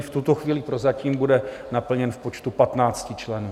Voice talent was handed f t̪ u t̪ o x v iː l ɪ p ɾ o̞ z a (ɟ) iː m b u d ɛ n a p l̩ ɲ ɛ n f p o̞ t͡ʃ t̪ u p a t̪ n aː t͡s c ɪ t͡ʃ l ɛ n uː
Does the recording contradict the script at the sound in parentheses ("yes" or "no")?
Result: yes